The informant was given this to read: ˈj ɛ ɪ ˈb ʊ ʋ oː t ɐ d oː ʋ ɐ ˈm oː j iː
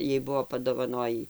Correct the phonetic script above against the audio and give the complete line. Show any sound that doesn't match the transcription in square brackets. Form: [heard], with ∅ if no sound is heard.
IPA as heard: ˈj ɛ ɪ ˈb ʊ ʋ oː [p] ɐ d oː ʋ ɐ [ˈn] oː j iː